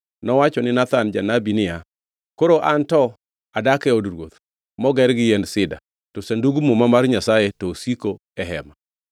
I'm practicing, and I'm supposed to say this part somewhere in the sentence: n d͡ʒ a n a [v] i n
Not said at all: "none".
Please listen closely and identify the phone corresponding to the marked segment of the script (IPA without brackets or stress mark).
b